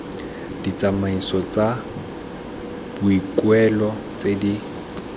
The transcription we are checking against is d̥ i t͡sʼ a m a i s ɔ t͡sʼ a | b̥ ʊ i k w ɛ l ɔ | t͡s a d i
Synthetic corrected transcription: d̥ i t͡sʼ a m a i s ɔ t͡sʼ a | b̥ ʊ i k w ɛ l ɔ | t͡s e d i

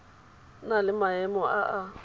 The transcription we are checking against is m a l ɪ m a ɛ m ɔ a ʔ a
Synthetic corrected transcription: n a l ɪ m a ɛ m ɔ a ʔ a

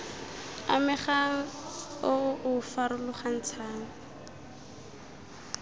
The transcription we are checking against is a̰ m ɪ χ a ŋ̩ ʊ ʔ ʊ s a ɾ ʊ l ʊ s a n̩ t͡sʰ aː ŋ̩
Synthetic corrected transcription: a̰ m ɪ χ a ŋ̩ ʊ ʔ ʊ f a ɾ ʊ l ʊ χ a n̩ t͡sʰ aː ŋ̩

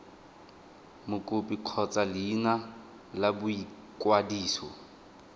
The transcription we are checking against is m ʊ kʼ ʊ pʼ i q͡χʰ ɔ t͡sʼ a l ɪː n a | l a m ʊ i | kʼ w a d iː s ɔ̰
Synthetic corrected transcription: m ʊ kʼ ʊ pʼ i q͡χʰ ɔ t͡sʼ a l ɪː n a | l a b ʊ i | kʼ w a d iː s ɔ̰

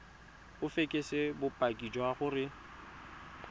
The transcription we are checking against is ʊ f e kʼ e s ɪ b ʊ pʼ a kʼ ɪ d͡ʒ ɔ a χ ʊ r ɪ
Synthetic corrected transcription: ʊ f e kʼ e s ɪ b ʊ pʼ a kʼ i d͡ʒ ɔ a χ ʊ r ɪ

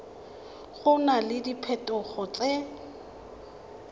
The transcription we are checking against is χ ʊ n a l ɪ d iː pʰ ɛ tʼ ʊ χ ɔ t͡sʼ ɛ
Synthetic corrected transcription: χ ʊ n a l ɪ d i pʰ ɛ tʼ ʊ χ ɔ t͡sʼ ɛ

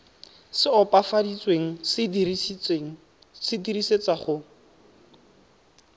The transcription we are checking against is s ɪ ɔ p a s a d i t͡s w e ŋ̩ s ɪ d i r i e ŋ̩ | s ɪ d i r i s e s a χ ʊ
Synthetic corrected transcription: s ɪ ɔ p a f a d i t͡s w e ŋ̩ s ɪ d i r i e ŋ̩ | s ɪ d i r i s e t͡s a χ ʊ

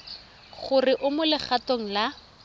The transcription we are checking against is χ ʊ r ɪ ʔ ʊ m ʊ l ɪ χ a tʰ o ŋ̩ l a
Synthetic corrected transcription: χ ʊ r ɪ ʔ ʊ m ʊ l ɪ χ a t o ŋ̩ l a

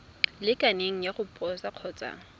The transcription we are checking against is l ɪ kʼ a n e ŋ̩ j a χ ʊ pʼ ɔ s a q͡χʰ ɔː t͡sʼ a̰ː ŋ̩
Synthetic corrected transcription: l ɪ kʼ a n e ŋ̩ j a χ ʊ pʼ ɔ s a q͡χʰ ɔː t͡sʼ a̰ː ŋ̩

